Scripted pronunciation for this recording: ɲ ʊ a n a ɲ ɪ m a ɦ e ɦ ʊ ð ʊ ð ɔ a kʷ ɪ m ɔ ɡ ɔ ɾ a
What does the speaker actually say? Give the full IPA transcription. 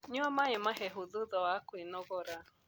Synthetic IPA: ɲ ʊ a m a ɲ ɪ m a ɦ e ɦ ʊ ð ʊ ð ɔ a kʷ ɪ n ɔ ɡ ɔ ɾ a